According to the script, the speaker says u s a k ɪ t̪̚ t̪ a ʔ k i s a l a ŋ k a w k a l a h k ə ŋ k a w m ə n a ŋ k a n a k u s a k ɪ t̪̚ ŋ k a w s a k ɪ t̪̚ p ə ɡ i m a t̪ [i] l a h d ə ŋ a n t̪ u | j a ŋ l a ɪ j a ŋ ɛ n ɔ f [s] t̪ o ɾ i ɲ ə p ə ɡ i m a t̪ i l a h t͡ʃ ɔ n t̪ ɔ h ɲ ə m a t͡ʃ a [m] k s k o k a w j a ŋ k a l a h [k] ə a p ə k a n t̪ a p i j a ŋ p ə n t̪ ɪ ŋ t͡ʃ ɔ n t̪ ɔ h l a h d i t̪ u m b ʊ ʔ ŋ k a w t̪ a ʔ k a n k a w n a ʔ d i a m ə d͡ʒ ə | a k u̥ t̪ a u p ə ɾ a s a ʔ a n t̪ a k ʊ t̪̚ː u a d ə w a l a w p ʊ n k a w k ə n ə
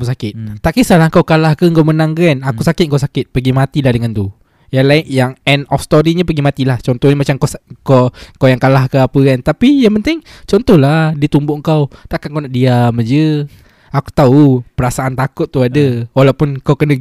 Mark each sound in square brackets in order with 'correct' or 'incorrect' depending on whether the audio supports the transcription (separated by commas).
correct, correct, correct, correct